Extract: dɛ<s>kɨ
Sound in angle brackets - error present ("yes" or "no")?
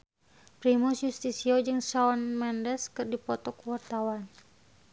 no